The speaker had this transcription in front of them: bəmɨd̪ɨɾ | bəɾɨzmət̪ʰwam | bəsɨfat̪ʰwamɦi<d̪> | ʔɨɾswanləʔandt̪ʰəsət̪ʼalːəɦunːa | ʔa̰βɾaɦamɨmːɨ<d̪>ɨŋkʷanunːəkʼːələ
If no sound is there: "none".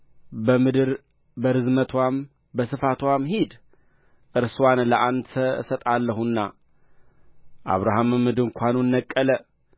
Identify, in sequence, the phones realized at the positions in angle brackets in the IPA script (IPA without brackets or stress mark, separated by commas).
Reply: d̪, d̪